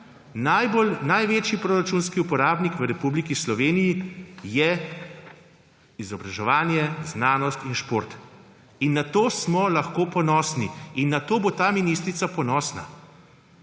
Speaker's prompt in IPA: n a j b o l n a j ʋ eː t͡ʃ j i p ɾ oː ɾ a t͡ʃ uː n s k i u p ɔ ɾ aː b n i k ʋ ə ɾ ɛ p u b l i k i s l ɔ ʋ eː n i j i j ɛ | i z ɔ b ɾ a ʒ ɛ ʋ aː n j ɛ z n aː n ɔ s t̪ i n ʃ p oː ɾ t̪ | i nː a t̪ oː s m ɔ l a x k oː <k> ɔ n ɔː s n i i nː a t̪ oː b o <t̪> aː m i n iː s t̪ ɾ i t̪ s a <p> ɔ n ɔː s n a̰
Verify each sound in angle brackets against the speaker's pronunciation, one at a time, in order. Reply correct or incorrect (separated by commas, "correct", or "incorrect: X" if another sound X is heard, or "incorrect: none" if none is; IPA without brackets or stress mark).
incorrect: p, correct, correct